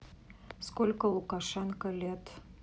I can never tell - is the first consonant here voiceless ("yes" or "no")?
yes